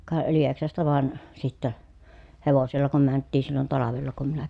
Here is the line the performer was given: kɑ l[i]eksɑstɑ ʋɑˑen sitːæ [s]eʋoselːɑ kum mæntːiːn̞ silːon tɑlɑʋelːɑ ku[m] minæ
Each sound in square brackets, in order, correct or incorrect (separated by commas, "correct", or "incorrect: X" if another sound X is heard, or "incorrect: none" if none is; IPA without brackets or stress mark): correct, incorrect: h, correct